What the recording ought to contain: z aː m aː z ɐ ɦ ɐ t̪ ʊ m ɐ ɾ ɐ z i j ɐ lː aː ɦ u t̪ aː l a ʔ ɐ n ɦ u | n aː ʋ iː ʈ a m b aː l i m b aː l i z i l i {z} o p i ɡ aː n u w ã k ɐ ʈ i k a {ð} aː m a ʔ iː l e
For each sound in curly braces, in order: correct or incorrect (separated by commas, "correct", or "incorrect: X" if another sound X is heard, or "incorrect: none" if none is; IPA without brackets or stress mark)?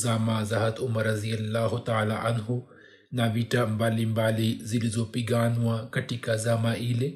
correct, incorrect: z